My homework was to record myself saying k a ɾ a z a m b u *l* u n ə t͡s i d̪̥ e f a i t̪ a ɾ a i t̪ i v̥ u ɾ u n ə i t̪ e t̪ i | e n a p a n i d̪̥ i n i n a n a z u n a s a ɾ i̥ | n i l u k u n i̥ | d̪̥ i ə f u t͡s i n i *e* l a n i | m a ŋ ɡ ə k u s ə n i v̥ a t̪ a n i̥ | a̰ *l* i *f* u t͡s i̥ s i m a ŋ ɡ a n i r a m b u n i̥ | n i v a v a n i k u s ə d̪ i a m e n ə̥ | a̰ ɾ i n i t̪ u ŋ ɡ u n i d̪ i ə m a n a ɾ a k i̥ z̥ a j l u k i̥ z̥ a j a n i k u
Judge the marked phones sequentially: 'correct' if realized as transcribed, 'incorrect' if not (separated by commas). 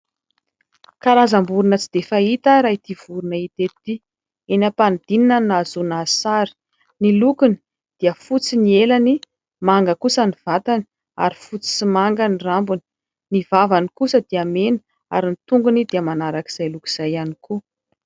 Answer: incorrect, correct, incorrect, correct